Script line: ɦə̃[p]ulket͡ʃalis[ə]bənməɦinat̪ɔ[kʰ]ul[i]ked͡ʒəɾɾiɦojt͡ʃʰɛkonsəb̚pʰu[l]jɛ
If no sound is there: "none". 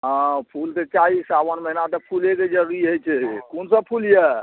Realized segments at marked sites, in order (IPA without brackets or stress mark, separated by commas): pʰ, a, pʰ, e, l